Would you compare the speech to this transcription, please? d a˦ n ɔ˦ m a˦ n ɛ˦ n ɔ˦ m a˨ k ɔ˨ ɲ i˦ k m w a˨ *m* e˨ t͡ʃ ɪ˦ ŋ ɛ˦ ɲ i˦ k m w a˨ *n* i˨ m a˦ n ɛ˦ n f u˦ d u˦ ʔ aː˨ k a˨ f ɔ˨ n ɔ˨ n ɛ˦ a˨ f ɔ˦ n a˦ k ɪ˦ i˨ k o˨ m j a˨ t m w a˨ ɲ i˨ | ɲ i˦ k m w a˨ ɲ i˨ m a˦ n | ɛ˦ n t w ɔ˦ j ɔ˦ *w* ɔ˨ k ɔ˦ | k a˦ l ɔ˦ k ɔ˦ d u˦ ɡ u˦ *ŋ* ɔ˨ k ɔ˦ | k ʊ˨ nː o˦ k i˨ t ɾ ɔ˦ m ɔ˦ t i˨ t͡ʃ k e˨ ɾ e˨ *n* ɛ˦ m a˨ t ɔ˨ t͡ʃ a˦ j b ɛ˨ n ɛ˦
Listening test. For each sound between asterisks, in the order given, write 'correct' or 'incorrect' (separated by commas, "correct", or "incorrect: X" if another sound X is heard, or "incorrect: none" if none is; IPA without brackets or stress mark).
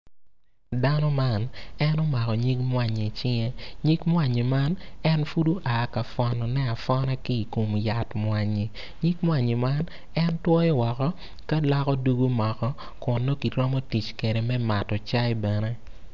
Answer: incorrect: ɲ, incorrect: ɲ, correct, incorrect: m, incorrect: m